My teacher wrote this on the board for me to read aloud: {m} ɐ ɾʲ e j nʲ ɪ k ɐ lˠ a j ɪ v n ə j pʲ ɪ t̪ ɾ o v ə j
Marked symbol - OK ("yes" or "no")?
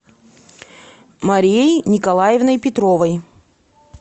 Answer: yes